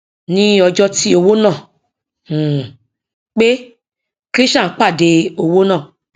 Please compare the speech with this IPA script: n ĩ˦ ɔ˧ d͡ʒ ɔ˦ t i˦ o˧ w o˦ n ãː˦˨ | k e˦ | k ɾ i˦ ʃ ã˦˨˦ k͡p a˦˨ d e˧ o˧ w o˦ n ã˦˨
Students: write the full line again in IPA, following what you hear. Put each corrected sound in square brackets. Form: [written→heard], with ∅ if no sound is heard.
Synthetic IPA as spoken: n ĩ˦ ɔ˧ d͡ʒ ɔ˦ t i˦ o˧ w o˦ n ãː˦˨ | [k→k͡p] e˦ | k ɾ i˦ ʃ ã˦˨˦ k͡p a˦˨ d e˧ o˧ w o˦ n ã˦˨